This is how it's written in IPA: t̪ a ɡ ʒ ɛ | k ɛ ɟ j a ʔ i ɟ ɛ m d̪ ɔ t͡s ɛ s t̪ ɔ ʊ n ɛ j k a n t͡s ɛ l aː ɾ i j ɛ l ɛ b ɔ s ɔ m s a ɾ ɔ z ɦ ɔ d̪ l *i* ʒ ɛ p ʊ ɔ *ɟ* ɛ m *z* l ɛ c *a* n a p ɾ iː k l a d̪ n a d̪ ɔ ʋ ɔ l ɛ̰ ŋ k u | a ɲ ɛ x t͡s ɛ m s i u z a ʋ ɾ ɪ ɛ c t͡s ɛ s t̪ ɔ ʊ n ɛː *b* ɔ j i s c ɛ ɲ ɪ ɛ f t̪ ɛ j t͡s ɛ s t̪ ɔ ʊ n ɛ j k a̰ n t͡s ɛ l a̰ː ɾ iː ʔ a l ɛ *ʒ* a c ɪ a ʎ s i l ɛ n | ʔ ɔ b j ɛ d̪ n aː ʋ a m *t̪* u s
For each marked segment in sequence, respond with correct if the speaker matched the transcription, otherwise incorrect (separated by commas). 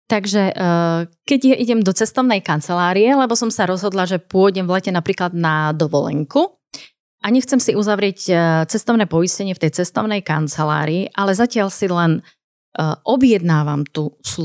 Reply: incorrect, correct, incorrect, incorrect, incorrect, incorrect, correct